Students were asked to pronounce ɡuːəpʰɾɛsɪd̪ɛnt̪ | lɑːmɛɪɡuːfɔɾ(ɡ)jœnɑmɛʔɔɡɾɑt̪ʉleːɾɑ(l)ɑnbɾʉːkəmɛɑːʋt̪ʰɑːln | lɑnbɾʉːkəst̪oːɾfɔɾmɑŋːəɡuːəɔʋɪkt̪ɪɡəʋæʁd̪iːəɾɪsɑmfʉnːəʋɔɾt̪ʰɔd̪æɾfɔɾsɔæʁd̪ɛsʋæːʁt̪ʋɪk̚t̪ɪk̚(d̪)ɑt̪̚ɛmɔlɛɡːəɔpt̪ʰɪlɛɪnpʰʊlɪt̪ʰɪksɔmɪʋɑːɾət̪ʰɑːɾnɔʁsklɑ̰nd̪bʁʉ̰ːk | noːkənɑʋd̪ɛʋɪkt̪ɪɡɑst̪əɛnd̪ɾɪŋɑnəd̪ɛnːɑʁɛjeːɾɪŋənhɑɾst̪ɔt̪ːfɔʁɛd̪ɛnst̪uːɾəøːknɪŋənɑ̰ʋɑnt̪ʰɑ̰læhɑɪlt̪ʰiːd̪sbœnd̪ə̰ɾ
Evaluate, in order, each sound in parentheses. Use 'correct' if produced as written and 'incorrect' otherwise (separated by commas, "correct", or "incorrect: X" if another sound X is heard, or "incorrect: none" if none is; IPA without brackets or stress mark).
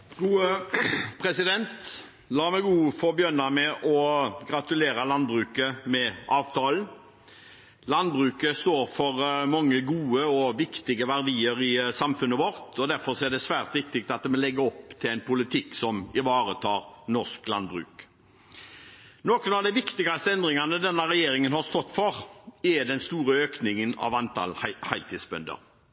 incorrect: b, correct, incorrect: t̪